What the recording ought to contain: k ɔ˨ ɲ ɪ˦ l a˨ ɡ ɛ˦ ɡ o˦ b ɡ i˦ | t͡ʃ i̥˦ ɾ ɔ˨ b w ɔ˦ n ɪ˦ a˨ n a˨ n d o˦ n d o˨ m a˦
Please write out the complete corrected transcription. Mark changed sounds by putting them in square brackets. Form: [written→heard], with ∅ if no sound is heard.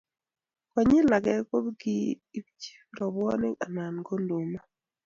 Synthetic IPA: k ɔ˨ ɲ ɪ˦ l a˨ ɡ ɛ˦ [ɡ→k] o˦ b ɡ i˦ | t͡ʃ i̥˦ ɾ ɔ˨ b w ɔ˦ n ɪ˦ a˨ n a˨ n [d→ɡ] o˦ n d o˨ m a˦

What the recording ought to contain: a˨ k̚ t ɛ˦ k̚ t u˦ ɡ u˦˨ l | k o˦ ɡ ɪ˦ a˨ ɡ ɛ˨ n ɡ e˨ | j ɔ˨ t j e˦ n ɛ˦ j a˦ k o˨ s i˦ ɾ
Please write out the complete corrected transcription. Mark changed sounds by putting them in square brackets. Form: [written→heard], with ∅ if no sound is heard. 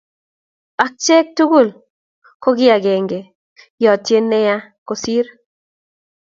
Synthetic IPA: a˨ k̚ [t→t͡ʃ] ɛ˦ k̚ t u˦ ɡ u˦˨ l | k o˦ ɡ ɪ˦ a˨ ɡ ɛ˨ [n→ŋ] ɡ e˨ | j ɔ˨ t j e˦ n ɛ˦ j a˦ k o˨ s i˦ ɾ

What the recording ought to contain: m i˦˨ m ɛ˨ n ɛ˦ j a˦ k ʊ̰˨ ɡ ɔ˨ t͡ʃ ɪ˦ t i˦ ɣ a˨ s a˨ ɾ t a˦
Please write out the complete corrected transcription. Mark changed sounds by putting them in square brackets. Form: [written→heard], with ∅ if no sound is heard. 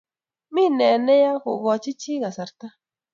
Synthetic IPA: m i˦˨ [m→n] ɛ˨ n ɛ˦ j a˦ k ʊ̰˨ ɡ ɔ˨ t͡ʃ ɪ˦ [t→t͡ʃ] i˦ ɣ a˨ s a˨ ɾ t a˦

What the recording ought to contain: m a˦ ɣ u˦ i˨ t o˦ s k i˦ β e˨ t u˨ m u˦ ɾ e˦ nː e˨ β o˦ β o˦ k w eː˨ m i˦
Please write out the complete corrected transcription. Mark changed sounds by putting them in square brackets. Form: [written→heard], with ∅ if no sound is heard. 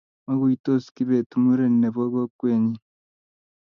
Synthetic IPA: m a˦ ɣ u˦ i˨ t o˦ s k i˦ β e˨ t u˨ m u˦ ɾ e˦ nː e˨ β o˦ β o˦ k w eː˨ [m→ɲ] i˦

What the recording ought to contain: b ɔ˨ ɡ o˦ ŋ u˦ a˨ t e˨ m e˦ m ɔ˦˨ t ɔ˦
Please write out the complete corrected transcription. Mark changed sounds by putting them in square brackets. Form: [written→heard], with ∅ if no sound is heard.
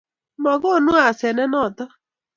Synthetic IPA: [b→m] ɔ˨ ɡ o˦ [ŋ→n] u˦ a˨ [t→s] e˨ [m→n] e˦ [m→n] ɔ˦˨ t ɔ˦

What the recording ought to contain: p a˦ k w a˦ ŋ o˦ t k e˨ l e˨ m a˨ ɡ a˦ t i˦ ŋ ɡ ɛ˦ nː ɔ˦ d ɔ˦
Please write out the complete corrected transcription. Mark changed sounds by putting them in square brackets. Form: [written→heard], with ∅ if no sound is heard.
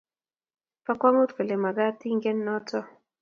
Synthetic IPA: p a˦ k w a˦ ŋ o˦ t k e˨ l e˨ m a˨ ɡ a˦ t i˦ ŋ ɡ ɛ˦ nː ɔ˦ [d→t] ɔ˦

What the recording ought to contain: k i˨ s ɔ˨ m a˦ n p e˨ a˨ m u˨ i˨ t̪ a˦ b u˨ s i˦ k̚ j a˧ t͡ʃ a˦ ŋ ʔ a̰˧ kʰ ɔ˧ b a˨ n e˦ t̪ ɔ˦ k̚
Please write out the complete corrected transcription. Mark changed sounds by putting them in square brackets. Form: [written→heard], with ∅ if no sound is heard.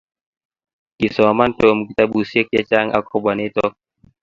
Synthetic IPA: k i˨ s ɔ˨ m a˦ n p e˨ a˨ m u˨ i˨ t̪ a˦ b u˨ s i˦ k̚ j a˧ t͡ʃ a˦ ŋ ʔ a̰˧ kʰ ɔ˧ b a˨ n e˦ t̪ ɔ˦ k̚

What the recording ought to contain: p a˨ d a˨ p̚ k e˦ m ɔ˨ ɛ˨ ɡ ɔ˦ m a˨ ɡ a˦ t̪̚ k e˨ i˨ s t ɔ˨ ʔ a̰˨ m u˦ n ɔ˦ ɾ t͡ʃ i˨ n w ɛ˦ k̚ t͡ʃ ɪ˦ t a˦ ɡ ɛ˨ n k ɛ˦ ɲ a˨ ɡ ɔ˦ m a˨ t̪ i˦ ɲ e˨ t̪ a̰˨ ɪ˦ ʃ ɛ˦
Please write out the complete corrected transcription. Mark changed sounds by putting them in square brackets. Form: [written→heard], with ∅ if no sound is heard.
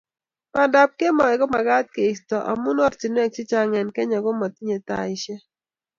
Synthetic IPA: p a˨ d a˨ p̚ k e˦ m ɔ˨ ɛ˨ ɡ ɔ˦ m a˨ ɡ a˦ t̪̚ k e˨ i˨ s t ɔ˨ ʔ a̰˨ m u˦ n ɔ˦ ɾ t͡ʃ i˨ n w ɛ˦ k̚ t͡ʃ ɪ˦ [t→t͡ʃ] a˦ [ɡ→ŋ] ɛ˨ n k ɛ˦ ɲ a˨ ɡ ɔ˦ m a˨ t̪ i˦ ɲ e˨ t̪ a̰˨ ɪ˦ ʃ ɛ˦

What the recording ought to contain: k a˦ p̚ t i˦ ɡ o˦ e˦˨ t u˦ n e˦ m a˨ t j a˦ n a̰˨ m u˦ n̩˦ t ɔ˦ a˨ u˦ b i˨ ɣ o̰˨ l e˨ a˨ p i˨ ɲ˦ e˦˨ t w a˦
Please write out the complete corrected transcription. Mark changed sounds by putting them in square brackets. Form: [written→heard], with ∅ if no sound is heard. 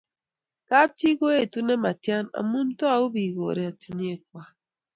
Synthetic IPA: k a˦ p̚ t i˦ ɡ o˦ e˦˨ t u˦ n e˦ m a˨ t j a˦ n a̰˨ m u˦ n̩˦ t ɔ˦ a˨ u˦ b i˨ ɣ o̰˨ [l→ɾ] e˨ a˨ [p→t] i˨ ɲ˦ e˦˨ [t→k] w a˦

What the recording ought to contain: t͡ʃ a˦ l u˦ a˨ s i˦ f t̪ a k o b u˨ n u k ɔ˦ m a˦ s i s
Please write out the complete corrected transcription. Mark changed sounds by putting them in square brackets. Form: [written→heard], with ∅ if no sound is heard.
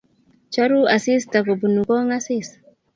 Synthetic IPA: t͡ʃ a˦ [l→ɾ] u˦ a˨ s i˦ [f→s] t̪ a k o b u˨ n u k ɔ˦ [m→ŋ] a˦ s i s

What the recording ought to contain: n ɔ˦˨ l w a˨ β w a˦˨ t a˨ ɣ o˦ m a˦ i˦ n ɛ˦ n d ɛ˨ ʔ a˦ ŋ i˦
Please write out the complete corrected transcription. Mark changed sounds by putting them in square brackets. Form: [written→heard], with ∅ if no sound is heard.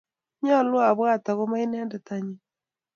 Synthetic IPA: [n→ɲ] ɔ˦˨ l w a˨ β w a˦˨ t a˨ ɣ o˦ m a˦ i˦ n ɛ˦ n d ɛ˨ [ʔ→t] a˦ [ŋ→ɲ] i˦

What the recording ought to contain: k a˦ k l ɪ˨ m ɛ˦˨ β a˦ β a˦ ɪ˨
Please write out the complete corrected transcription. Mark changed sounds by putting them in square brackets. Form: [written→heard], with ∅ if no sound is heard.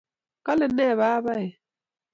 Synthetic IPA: k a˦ [k→∅] l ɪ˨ [m→n] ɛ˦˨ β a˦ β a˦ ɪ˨

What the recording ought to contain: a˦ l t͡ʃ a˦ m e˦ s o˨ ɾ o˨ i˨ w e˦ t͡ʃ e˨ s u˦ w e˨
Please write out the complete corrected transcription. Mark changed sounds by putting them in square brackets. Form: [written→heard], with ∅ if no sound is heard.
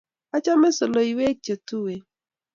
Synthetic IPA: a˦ [l→∅] t͡ʃ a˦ m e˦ s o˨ [ɾ→l] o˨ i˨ w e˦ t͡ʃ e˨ [s→t] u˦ w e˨

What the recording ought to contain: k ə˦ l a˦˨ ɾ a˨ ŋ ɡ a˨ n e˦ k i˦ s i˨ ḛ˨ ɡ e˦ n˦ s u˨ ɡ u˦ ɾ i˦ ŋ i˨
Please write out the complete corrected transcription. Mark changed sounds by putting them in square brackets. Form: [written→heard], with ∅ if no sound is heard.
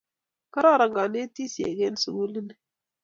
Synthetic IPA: k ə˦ [l→ɾ] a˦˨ ɾ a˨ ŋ ɡ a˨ n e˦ [k→t] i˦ s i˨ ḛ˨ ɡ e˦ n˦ s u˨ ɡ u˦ [ɾ→l] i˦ [ŋ→n] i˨

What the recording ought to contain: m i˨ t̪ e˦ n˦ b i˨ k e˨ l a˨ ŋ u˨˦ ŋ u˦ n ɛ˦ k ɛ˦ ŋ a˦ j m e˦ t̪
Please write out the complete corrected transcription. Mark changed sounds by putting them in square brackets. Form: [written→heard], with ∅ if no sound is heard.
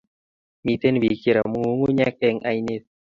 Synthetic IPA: m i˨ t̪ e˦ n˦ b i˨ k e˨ [l→ɾ] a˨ [ŋ→m] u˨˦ ŋ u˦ [n→ɲ] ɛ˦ k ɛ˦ ŋ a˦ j [m→n] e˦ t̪

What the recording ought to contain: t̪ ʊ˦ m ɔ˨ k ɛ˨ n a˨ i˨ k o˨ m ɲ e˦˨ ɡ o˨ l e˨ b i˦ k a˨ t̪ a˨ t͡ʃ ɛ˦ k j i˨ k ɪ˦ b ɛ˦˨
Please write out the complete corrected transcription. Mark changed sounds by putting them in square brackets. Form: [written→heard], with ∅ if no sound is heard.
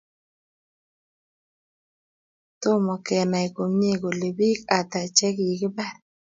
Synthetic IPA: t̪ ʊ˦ m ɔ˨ k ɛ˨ n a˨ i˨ k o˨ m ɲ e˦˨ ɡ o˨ l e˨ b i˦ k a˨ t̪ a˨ t͡ʃ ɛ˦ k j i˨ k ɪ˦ b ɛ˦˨

